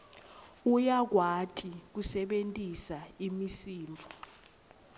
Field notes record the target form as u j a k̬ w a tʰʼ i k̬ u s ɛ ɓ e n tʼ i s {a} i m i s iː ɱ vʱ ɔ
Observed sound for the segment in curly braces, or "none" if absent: a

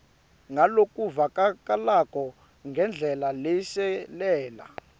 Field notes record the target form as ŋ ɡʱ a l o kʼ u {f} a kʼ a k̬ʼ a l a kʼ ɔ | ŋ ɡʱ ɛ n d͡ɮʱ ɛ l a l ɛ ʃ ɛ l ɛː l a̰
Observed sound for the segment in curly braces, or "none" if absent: v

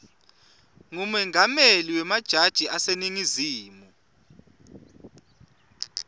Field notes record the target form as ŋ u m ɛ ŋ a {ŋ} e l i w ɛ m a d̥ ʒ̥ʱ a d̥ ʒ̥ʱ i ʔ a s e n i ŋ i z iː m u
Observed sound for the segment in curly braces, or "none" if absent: m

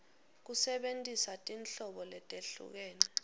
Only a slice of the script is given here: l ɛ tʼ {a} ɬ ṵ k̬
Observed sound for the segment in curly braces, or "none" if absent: e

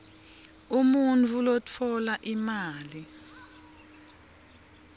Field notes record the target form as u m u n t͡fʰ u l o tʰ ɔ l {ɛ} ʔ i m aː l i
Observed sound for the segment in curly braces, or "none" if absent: a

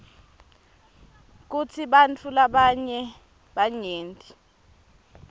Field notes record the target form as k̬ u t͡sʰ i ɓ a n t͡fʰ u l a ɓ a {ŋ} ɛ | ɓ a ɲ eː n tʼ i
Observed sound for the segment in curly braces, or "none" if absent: ɲ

